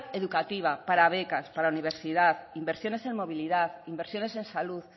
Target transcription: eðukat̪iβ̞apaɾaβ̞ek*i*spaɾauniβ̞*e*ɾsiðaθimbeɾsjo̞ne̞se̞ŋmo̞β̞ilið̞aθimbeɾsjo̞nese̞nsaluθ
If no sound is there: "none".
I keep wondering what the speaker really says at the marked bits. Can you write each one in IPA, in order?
a, e

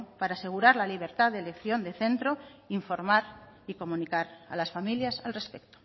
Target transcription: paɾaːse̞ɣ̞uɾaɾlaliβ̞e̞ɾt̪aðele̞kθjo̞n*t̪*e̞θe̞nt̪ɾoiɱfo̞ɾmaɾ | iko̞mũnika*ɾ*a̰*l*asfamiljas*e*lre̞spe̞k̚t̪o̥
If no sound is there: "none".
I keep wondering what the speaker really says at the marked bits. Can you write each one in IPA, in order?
d̪, ɾ, l, a

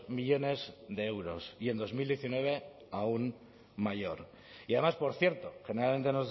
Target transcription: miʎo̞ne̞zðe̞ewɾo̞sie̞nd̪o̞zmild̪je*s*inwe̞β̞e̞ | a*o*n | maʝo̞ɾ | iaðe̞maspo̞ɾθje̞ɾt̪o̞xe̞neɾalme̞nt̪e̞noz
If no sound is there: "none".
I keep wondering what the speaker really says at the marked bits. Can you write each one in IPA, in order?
θ, u

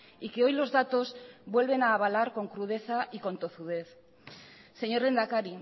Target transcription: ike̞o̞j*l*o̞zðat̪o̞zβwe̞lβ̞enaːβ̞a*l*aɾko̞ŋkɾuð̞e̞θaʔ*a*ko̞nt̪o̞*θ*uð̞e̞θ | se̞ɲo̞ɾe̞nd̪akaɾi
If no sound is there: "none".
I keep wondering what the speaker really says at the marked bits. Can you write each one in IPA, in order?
l, l, i, θ

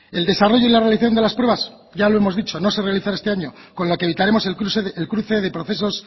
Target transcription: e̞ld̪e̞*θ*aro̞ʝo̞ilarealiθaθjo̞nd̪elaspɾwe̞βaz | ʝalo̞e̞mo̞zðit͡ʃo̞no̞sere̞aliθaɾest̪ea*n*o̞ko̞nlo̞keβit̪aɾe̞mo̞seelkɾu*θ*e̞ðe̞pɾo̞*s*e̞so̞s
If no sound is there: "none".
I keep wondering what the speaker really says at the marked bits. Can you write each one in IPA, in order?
s, ɲ, θ, θ

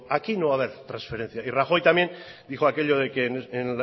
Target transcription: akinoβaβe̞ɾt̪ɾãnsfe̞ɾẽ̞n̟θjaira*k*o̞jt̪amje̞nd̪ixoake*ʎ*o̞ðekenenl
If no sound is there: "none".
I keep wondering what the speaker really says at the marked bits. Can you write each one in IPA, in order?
x, ʎ

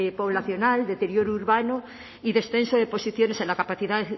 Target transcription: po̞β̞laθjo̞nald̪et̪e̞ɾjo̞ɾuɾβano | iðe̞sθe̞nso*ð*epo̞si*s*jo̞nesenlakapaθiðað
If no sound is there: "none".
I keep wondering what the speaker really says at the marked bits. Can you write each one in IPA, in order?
ð, θ

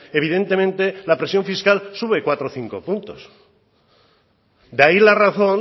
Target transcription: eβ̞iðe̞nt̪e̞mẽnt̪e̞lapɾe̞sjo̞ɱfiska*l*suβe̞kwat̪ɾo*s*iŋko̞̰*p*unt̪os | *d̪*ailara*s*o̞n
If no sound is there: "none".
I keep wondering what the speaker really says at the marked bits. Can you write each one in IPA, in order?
l, θ, p, d̪, θ

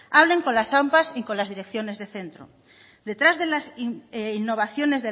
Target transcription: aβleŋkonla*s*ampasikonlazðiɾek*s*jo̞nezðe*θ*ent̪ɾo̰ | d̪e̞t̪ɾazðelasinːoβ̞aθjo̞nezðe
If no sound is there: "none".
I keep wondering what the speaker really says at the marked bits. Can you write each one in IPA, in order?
s, θ, θ

